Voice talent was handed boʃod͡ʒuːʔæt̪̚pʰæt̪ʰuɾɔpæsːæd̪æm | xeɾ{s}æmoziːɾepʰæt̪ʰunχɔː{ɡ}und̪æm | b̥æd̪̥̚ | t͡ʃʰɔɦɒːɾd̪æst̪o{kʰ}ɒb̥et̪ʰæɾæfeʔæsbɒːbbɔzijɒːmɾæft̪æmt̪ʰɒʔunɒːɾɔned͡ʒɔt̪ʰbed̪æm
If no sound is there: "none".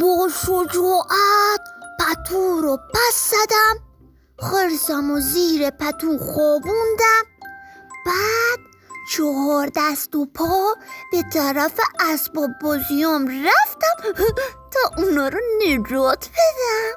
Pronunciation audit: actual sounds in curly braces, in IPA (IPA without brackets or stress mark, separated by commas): s, b, pʰ